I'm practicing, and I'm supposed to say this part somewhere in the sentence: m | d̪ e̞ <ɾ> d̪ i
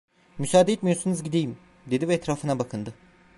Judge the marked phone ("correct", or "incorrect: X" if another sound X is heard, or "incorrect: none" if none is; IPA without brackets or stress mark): incorrect: none